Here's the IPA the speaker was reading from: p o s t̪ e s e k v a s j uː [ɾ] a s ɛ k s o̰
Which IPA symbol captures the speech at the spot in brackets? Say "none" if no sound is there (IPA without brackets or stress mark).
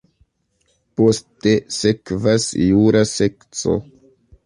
ɾ